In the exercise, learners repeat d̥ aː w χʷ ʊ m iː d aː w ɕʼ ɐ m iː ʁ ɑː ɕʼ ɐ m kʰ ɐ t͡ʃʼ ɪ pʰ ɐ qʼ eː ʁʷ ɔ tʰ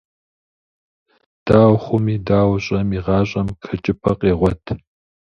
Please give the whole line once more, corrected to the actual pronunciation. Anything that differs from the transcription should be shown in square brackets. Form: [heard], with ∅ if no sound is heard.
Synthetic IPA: d̥ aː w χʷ ʊ m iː d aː w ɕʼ ɐ m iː ʁ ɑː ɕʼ ɐ m kʰ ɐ t͡ʃʼ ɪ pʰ ɐ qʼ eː ʁʷ ɔ tʰ